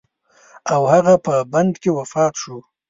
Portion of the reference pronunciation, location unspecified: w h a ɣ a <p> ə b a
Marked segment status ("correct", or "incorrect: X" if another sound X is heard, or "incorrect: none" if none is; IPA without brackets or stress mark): correct